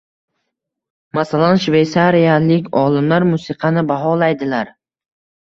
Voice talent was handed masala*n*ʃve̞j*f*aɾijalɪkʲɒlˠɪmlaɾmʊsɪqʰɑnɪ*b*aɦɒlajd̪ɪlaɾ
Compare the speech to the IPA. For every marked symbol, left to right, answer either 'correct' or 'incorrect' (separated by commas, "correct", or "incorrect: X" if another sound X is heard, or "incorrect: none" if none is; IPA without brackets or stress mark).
correct, incorrect: s, correct